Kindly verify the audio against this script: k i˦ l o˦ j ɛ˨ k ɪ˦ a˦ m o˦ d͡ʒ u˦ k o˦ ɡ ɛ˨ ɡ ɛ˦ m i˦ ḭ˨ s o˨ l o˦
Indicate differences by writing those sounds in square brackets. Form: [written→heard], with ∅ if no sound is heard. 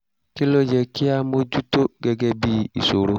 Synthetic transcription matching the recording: k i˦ l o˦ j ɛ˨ k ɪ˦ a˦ m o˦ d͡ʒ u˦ [k→t] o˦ ɡ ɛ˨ ɡ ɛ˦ [m→b] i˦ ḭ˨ s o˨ [l→ɾ] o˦